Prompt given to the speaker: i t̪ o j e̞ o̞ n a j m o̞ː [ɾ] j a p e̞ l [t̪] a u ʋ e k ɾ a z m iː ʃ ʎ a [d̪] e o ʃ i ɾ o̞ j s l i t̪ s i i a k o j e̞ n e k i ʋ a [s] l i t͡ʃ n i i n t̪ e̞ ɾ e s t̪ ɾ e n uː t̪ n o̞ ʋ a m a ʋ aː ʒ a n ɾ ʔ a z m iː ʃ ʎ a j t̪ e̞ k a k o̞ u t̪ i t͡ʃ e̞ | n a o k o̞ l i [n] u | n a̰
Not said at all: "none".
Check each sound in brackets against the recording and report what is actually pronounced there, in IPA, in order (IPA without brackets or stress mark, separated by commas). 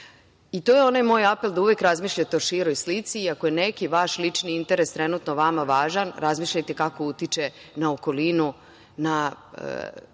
none, d̪, t̪, ʃ, n